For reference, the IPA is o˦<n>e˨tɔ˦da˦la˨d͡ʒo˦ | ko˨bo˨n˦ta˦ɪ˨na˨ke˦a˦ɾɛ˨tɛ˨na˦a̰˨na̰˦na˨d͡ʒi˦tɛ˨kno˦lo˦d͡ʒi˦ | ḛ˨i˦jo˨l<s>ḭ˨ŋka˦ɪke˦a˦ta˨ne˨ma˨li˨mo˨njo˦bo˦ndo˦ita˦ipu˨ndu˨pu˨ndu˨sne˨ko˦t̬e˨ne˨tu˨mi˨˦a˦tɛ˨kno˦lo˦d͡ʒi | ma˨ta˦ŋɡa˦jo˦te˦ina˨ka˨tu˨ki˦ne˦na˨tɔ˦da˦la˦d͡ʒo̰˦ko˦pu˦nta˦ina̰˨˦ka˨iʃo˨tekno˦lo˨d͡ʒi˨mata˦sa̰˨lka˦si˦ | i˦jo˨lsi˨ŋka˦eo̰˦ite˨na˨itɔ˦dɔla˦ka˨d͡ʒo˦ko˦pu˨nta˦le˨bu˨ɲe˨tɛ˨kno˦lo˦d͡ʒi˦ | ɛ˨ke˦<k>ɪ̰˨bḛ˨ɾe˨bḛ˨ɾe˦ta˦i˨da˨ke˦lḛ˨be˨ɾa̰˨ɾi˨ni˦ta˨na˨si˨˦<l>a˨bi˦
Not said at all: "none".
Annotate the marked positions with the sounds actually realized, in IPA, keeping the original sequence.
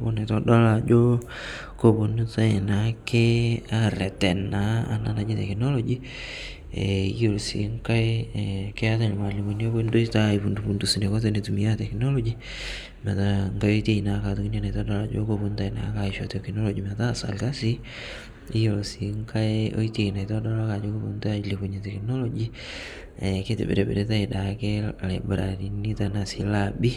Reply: n, s, t, l

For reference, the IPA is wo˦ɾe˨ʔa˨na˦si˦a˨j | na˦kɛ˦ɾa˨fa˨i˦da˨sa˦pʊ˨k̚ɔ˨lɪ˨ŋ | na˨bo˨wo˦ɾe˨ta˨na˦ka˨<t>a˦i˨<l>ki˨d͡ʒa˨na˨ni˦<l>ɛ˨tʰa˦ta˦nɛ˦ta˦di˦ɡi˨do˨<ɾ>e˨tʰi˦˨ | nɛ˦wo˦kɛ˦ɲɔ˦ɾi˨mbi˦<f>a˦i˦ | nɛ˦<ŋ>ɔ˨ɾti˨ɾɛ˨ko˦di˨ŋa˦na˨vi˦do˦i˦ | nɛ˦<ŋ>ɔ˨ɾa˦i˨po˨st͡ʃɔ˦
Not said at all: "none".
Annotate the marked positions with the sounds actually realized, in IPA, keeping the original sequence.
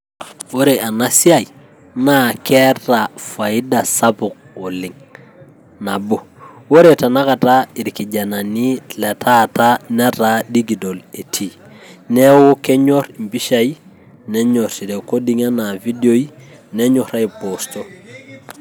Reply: t, ɾ, l, l, ʃ, ɲ, ɲ

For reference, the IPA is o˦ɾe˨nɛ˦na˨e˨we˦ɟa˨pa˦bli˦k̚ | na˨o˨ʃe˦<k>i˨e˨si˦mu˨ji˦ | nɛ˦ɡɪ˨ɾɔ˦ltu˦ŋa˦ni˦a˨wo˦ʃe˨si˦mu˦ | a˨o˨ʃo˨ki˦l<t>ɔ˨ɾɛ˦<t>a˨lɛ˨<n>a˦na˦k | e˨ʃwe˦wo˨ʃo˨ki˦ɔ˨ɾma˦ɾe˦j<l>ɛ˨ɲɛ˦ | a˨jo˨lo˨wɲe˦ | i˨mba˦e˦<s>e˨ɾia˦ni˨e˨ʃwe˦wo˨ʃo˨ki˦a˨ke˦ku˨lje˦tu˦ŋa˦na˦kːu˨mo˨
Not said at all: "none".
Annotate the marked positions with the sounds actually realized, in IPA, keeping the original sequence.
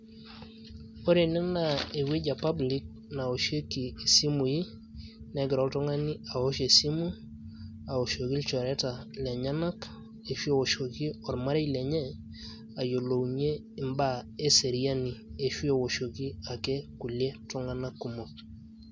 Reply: k, t͡ʃ, t, ɲ, l, s

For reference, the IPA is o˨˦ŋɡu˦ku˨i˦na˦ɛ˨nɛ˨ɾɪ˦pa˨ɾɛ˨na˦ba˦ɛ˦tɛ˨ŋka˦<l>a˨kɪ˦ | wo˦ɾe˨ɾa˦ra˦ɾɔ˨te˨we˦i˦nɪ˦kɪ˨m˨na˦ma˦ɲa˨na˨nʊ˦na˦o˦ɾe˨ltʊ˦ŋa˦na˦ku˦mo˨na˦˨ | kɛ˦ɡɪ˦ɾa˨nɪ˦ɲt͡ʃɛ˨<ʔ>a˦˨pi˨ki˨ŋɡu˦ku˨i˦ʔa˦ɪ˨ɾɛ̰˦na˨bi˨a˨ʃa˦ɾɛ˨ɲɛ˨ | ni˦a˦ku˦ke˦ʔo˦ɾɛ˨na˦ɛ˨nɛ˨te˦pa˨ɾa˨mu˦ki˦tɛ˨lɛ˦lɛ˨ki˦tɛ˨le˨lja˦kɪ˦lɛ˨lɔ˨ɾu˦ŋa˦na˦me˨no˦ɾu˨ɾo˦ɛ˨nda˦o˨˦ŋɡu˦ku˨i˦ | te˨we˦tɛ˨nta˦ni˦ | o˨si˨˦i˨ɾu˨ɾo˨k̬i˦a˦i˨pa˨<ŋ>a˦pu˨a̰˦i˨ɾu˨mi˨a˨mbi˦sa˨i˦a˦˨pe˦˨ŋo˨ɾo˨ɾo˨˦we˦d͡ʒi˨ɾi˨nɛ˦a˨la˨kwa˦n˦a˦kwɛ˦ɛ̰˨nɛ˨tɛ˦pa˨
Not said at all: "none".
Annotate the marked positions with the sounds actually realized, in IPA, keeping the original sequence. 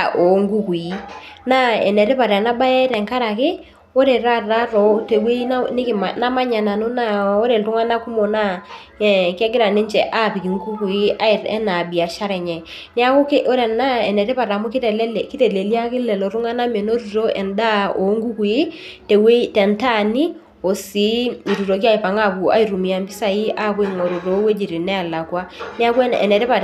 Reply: ɾ, ʔ, ŋ

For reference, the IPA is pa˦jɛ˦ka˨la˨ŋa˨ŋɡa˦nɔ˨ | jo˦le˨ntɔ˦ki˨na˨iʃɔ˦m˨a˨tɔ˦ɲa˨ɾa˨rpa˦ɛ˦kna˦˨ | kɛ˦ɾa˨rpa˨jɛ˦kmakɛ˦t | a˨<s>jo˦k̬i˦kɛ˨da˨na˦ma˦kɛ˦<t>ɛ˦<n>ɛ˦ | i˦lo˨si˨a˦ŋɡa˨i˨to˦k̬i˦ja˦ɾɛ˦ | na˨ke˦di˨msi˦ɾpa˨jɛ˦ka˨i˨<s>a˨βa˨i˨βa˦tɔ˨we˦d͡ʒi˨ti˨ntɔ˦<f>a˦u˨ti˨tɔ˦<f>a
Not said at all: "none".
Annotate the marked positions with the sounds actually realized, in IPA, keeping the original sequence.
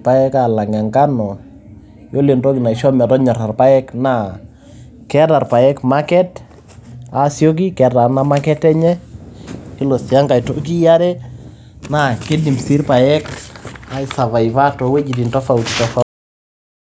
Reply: s, t, ɲ, s, f, f

